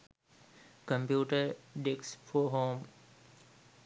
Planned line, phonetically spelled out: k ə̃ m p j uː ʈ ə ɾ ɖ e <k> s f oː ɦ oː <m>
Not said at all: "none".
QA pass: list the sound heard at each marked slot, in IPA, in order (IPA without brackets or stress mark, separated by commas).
k, m